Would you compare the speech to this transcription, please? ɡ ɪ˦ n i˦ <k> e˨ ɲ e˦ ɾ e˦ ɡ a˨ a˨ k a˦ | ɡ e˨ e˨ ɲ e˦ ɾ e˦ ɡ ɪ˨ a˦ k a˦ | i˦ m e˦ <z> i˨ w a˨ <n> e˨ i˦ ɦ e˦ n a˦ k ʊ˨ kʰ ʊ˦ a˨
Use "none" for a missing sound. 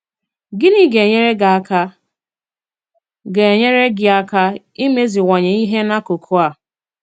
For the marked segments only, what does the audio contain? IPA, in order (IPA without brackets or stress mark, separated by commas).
ɡ, z, ɲ